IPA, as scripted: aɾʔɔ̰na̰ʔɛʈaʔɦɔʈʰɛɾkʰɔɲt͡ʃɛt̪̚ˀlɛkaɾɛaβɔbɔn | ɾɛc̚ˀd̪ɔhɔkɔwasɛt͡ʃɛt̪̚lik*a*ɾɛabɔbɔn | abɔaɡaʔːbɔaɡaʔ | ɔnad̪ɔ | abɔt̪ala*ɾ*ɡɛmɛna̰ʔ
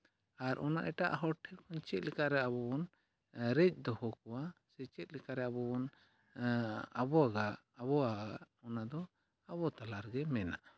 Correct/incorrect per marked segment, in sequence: correct, correct

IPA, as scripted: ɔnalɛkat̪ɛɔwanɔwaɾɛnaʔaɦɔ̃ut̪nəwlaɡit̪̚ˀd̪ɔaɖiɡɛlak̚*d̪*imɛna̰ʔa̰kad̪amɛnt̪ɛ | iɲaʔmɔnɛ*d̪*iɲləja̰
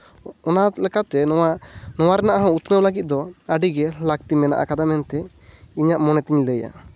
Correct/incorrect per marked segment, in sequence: incorrect, incorrect

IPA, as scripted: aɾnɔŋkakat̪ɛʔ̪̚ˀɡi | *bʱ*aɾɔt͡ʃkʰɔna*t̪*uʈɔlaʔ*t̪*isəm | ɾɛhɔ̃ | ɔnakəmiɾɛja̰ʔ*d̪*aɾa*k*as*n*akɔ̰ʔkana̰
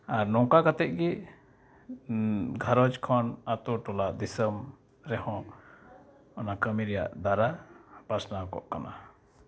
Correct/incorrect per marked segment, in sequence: incorrect, correct, incorrect, correct, incorrect, correct

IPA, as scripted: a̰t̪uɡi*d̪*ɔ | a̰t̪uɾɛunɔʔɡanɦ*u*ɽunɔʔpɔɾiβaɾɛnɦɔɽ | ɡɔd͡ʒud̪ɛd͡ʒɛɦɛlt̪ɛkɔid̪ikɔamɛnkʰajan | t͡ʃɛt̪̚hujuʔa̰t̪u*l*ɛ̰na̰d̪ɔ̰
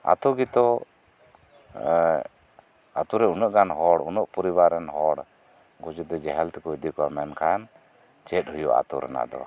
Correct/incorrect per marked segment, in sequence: incorrect, incorrect, incorrect

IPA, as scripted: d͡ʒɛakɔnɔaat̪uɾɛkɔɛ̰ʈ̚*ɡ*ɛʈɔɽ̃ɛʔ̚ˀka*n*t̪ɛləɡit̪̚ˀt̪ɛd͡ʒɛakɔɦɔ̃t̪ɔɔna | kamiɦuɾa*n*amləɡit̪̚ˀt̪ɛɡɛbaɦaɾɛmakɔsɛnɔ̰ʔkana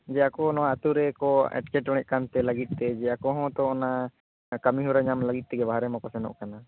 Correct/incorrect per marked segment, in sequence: incorrect, correct, incorrect

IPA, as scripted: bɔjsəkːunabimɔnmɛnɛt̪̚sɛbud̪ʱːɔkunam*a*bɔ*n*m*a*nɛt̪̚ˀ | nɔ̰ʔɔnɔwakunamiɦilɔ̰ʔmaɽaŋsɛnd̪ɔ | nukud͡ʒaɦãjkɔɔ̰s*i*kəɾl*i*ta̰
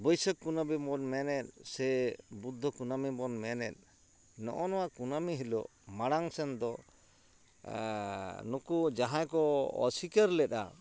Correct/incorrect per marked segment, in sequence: incorrect, correct, incorrect, correct, incorrect

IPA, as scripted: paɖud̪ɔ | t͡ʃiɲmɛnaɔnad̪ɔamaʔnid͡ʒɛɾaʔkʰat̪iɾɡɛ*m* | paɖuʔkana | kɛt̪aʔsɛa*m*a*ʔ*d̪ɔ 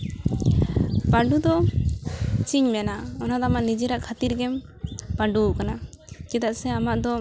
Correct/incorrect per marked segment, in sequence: correct, correct, correct

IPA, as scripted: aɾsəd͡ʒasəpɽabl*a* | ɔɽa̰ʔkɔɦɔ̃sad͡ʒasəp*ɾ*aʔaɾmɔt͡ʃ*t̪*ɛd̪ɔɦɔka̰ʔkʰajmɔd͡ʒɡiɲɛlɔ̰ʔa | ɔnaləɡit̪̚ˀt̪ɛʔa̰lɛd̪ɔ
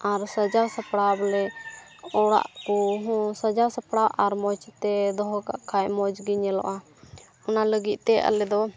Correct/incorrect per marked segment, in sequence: incorrect, incorrect, correct

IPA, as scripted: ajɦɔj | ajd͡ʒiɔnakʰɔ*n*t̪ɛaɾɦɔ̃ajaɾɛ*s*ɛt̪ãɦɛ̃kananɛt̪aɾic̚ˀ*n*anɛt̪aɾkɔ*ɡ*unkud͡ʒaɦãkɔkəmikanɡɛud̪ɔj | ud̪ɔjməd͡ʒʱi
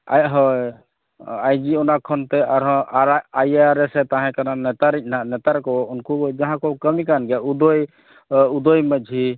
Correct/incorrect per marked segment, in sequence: correct, correct, correct, incorrect

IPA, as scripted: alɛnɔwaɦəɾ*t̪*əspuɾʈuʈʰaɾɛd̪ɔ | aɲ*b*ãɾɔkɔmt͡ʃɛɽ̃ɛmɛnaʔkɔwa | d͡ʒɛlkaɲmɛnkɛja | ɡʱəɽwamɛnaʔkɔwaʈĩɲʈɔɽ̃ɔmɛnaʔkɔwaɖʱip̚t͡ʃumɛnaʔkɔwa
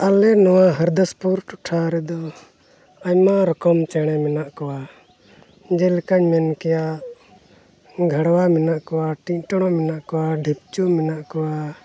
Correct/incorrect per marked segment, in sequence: incorrect, incorrect

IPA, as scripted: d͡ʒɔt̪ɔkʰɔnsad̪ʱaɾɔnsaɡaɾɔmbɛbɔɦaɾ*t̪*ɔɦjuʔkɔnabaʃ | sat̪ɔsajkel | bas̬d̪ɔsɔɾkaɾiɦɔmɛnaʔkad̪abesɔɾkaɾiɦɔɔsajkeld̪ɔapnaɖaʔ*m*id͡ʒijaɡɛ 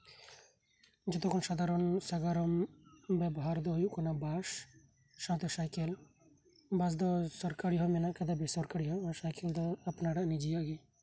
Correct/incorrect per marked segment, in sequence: incorrect, incorrect

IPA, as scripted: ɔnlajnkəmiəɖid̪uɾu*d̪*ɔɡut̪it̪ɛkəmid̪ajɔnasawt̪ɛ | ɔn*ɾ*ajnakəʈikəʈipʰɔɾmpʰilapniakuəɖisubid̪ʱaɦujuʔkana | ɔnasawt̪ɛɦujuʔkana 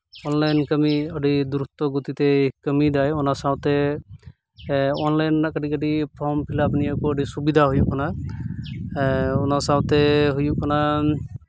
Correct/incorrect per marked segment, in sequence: incorrect, incorrect

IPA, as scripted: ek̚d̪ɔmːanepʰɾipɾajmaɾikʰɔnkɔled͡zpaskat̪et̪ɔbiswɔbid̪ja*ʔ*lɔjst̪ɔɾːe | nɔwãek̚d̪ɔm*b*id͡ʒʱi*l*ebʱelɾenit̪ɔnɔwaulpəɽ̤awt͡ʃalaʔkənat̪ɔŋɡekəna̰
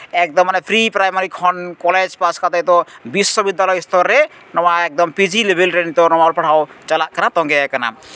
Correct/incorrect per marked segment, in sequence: incorrect, incorrect, correct

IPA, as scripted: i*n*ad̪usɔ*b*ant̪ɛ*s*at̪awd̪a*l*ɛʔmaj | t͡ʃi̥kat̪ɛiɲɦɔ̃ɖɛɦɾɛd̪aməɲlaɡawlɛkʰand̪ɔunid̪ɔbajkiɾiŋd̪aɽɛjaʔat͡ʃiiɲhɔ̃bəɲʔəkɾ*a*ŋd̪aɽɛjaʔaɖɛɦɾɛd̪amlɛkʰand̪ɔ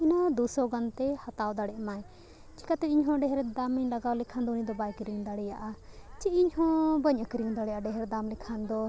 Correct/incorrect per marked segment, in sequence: correct, incorrect, incorrect, incorrect, incorrect

